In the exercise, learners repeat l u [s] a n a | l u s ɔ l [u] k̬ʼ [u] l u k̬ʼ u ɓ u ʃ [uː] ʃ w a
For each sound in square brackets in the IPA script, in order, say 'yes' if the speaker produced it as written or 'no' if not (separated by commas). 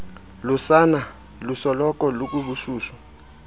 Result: yes, no, no, yes